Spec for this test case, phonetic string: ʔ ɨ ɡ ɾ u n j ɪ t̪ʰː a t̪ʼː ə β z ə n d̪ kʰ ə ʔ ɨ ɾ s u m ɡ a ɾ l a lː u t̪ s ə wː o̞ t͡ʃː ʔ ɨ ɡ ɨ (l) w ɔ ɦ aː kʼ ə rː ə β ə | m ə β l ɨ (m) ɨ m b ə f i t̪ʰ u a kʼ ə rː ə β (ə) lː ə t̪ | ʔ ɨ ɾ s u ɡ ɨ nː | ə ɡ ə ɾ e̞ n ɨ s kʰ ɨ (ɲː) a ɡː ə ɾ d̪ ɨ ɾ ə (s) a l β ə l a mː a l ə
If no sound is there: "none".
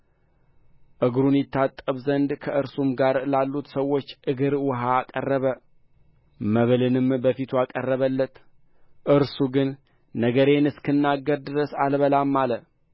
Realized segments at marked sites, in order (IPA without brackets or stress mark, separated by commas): ɾ, n, ə, nː, s